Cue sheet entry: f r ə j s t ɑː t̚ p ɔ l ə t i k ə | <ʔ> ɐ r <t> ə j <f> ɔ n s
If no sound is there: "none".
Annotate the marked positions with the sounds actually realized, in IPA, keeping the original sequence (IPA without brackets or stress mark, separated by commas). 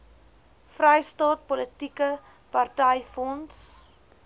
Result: p, t, f